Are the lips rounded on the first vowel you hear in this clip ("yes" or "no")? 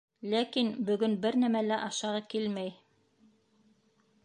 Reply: no